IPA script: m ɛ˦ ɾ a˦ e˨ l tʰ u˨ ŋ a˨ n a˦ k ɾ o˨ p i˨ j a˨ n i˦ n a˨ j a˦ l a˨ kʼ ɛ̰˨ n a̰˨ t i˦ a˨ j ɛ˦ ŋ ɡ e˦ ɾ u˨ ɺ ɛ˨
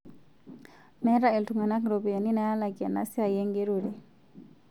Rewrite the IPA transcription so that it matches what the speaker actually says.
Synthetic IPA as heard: m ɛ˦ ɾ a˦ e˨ l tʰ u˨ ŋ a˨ n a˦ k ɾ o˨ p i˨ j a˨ n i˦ n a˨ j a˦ l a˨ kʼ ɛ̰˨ n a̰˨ s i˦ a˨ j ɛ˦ ŋ ɡ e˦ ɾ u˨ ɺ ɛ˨